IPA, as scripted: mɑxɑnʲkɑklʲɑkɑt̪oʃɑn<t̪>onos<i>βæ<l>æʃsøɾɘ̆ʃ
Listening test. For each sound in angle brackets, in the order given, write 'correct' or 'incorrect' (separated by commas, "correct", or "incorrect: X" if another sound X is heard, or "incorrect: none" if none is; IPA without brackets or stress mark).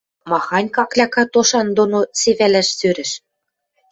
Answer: incorrect: d̪, incorrect: e, correct